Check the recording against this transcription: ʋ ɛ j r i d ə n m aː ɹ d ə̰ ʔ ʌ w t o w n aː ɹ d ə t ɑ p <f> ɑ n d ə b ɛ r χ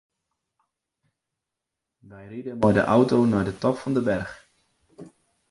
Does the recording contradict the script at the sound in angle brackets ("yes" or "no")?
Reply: no